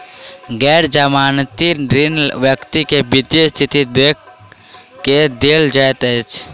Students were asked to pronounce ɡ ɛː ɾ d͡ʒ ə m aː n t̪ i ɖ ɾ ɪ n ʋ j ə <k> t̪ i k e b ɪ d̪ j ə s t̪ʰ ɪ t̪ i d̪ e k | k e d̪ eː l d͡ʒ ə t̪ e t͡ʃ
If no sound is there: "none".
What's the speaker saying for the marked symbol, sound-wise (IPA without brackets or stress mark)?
k